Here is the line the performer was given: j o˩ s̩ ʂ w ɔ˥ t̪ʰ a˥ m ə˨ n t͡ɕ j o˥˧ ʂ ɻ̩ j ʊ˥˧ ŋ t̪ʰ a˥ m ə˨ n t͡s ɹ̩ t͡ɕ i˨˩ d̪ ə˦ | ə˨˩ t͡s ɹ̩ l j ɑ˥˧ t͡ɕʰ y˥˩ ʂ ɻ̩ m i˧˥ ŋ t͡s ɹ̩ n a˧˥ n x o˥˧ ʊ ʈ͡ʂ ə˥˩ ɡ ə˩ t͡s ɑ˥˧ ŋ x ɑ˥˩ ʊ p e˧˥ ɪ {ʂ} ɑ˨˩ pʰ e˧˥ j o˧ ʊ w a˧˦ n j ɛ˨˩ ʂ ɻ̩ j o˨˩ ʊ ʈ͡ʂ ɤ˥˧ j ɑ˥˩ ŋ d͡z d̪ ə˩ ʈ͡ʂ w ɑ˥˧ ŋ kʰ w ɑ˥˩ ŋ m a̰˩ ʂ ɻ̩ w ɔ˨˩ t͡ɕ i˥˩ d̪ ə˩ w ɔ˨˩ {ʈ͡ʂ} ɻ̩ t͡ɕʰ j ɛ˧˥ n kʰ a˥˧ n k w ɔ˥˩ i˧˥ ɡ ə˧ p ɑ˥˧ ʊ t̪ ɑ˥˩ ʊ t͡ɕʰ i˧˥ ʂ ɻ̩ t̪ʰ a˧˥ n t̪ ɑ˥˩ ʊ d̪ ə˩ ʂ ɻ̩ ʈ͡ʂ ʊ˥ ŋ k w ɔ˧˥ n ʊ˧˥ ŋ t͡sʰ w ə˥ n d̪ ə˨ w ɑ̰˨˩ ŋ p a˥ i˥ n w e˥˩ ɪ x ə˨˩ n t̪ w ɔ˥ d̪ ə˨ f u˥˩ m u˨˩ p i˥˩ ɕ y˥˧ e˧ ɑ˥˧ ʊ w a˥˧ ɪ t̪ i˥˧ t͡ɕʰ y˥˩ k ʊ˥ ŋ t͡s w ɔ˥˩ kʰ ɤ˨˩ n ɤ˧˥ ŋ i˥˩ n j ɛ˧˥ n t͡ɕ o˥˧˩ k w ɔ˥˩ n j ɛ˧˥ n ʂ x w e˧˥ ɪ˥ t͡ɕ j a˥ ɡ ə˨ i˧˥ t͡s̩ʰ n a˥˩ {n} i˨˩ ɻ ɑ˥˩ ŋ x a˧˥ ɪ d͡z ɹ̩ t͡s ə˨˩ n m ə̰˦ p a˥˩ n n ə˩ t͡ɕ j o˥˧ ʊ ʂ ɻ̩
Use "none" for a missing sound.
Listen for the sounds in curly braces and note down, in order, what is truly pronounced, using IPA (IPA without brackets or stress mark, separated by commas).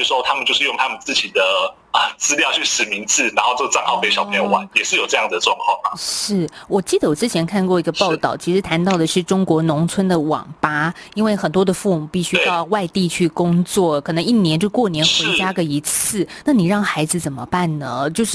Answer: ɕ, ʈ͡ʂ, n